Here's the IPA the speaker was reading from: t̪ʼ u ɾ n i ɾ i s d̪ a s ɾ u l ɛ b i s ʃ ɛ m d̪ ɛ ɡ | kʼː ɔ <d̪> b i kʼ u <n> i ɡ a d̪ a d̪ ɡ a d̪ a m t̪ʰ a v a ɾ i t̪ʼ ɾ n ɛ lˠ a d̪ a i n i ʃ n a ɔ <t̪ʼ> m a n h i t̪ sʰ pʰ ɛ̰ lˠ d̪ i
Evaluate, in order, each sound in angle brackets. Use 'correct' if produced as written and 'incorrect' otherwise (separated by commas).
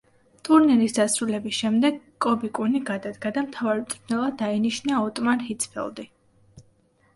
incorrect, correct, correct